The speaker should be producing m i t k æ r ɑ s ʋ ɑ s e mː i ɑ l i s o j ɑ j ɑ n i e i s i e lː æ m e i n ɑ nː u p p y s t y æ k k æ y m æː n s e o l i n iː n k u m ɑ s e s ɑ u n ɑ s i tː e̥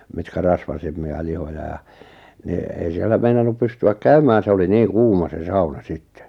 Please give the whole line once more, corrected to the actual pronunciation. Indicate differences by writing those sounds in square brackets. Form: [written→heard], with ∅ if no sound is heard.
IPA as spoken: m i t k æ r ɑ s ʋ ɑ s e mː i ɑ l i [s→h] o j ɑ j ɑ n i e i s i e lː æ m e i n ɑ nː u p p y s t y æ k k æ y m æː n s e o l i n iː [n→ŋ] k [u→uː] m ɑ s e s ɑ u n ɑ s i tː e̥